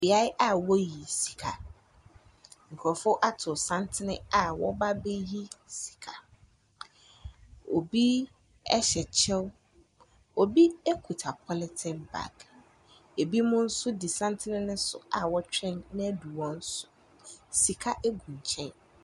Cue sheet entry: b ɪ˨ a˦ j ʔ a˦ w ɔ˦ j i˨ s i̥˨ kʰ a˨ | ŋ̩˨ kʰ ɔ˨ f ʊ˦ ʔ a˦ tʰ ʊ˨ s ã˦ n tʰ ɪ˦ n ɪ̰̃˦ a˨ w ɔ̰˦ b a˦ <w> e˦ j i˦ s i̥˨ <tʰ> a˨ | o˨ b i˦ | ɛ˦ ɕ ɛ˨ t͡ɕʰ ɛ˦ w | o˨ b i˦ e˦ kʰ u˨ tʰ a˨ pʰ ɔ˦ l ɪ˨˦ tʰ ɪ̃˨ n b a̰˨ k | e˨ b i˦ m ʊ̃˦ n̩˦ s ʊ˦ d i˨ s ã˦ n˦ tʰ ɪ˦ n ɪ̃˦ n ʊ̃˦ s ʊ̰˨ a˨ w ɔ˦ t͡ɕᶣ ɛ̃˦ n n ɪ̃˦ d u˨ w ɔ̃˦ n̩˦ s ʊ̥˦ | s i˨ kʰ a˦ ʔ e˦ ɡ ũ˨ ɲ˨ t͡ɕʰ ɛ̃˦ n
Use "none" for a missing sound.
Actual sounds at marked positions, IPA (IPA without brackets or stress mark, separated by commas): b, kʰ